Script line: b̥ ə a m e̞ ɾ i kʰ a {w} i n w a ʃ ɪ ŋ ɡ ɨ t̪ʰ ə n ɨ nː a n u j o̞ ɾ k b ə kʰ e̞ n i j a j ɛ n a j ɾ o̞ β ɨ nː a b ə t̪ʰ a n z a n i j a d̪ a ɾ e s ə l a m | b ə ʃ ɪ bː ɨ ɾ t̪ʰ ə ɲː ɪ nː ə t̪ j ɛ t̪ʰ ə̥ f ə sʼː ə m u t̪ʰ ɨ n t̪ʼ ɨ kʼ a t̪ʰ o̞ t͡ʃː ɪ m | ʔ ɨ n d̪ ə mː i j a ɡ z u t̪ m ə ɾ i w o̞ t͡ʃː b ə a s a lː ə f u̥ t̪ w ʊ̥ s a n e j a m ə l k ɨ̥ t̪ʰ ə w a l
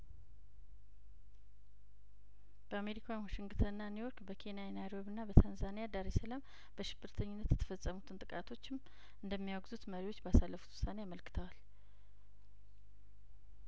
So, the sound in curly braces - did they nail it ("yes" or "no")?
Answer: yes